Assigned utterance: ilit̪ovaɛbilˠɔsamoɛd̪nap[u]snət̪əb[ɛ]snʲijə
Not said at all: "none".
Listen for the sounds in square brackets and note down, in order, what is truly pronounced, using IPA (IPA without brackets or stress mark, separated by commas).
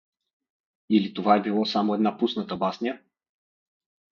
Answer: u, a